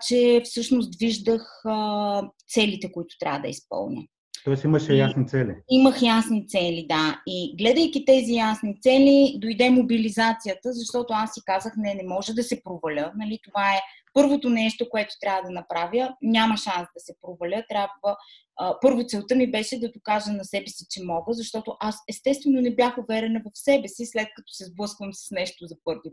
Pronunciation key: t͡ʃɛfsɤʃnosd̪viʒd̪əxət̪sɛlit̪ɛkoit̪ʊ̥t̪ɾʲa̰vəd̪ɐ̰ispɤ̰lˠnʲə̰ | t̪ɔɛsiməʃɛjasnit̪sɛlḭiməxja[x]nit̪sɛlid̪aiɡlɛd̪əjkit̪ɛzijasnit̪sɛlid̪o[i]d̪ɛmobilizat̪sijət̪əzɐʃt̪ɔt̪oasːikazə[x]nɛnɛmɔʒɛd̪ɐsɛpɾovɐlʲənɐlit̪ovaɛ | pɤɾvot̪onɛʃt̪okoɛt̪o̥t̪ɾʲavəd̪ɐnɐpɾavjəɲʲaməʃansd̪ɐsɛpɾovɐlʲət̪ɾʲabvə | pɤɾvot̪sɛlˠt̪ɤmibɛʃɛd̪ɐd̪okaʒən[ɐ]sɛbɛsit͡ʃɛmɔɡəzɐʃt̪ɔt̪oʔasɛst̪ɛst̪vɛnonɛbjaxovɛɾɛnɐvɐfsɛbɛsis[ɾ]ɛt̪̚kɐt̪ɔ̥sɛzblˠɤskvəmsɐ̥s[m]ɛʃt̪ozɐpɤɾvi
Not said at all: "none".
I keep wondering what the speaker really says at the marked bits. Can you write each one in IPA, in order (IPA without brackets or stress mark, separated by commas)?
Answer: s, j, x, ɐ, l, n